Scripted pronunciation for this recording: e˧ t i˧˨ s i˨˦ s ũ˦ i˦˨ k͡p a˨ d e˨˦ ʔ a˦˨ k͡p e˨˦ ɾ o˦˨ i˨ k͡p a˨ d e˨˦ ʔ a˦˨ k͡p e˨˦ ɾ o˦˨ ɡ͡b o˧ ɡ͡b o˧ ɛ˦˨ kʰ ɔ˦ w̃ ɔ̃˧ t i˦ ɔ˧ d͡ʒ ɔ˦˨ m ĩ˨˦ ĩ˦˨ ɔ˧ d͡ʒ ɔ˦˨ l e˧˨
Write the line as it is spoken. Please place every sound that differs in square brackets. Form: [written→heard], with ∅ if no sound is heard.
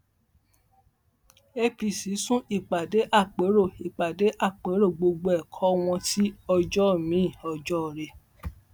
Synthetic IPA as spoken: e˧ [t→p] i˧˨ s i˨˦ s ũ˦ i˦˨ k͡p a˨ d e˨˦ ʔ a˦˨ k͡p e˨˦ ɾ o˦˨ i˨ k͡p a˨ d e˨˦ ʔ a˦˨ k͡p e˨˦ ɾ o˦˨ ɡ͡b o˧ ɡ͡b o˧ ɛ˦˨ kʰ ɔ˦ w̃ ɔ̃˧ t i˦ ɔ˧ d͡ʒ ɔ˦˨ m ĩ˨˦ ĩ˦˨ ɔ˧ d͡ʒ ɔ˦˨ [l→ɾ] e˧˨

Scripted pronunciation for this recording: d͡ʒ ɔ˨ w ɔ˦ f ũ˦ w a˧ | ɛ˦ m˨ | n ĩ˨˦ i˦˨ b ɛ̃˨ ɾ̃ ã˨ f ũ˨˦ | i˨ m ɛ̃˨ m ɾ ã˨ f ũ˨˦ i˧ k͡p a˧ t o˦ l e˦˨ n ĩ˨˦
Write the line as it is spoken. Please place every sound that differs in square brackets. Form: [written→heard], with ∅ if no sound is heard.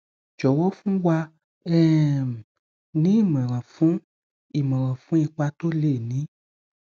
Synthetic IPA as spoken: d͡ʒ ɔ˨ w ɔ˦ f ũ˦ w a˧ | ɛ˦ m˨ | n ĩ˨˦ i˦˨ [b→m] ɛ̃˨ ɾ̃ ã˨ f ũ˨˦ | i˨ m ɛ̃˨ [m→∅] ɾ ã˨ f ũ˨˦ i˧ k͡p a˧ t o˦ l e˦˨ n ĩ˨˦

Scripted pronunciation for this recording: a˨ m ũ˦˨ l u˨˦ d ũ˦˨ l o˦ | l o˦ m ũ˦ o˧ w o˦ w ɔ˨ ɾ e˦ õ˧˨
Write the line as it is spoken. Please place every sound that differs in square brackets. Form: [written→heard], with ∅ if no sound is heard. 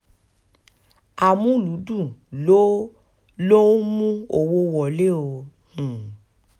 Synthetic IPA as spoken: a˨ m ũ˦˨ l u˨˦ d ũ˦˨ l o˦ | l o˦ m ũ˦ o˧ w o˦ w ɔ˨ [ɾ→l] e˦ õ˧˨

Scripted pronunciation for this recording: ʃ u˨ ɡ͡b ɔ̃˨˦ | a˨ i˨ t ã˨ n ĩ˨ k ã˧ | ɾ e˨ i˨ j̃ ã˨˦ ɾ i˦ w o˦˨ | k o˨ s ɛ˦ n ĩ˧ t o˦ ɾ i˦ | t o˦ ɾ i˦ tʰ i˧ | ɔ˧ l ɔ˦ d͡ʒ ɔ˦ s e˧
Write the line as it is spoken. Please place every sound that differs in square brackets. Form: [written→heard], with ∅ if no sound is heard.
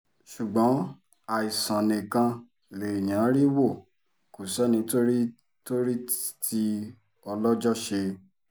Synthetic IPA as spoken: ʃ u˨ ɡ͡b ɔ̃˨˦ | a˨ i˨ [t→s] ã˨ n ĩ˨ k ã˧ | [ɾ→l] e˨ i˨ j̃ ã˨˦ ɾ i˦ w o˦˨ | k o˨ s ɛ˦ n ĩ˧ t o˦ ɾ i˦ | t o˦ ɾ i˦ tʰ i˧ | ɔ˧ l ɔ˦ d͡ʒ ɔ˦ [s→ʃ] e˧

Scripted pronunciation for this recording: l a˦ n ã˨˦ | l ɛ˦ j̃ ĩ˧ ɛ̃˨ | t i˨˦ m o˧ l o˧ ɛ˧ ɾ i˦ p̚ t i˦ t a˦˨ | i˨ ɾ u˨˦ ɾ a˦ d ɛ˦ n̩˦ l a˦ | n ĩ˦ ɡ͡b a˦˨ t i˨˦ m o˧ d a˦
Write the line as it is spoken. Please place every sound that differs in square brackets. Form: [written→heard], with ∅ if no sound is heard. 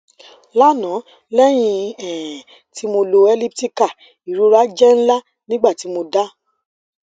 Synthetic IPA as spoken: l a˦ n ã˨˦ | l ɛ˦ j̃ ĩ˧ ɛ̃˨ | t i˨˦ m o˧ l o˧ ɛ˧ [ɾ→l] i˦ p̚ t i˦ [t→k] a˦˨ | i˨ ɾ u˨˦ ɾ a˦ [d→d͡ʒ] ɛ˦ n̩˦ l a˦ | n ĩ˦ ɡ͡b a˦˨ t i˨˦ m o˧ d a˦

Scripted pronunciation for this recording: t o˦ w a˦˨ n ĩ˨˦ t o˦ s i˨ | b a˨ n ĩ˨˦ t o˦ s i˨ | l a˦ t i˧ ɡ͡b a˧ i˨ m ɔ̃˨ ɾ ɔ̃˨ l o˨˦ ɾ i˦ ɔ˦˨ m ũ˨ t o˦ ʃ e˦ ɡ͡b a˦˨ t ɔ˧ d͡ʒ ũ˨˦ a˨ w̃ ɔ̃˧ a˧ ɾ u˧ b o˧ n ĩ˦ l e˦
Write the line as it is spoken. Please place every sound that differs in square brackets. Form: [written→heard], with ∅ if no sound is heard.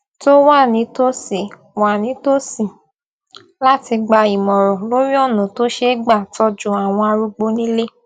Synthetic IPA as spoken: t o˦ w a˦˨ n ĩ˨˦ t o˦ s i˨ | [b→w] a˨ n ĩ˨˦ t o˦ s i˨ | l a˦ t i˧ ɡ͡b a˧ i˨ m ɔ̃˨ ɾ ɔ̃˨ l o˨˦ ɾ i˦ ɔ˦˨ [m→n] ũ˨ t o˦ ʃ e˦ ɡ͡b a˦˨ t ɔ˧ d͡ʒ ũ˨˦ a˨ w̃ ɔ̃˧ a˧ ɾ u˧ [b→ɡ͡b] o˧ n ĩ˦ l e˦

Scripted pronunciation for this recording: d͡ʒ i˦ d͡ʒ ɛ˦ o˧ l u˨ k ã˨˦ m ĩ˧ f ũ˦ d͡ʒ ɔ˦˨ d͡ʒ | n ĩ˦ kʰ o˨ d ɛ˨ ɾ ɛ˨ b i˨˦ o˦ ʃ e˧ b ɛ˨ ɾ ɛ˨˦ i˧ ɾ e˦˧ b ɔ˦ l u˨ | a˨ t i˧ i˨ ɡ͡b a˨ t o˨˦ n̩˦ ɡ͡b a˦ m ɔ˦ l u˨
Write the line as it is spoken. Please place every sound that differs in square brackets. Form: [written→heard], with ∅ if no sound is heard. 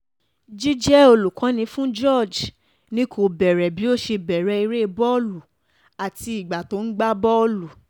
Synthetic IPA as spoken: d͡ʒ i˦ d͡ʒ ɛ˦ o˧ l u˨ k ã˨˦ [m→n] ĩ˧ f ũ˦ d͡ʒ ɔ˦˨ d͡ʒ | n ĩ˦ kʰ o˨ [d→b] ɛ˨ ɾ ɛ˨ b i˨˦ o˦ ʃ e˧ b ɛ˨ ɾ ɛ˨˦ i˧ ɾ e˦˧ b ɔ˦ l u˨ | a˨ t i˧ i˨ ɡ͡b a˨ t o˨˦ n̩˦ ɡ͡b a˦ [m→b] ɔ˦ l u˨

